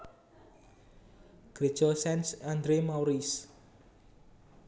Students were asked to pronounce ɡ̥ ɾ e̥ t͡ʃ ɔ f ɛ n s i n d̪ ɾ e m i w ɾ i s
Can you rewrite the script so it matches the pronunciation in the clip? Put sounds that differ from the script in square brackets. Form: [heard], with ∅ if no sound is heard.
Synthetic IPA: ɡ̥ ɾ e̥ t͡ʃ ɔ [s] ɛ n s [a] n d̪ ɾ e m [a] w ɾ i s